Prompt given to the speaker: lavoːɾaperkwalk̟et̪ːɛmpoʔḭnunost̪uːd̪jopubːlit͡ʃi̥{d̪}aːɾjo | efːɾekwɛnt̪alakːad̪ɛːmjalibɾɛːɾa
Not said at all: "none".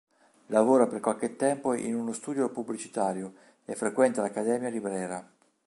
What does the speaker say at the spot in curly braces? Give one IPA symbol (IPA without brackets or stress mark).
t̪